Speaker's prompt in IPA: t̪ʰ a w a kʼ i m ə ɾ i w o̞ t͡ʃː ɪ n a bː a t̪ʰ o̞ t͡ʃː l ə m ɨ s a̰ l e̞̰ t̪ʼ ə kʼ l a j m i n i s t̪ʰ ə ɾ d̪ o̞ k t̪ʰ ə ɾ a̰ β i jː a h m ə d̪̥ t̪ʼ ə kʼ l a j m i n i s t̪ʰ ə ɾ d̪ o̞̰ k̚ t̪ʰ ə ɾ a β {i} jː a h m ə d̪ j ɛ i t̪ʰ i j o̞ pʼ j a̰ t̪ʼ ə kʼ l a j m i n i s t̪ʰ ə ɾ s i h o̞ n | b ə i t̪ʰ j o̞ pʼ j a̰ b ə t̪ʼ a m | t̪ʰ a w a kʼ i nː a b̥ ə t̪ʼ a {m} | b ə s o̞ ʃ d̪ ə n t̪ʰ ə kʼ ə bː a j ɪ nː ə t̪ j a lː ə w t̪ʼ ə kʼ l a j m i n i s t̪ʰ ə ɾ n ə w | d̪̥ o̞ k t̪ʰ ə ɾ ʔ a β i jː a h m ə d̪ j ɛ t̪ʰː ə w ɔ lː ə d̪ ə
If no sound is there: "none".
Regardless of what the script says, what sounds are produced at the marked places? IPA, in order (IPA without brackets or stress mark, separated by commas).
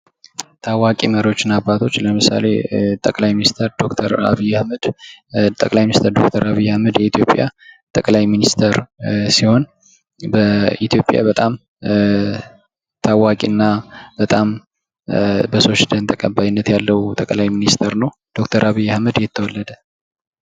i, m